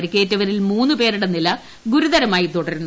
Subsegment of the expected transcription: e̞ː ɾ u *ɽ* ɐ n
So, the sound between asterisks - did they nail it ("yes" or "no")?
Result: yes